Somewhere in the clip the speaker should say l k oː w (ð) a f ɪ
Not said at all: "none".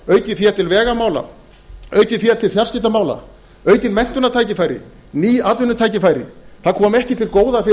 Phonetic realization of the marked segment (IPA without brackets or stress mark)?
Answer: ð